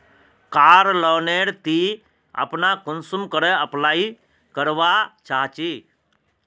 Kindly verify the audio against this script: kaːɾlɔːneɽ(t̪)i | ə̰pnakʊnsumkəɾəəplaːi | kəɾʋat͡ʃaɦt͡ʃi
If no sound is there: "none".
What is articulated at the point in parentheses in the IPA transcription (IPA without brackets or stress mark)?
t̪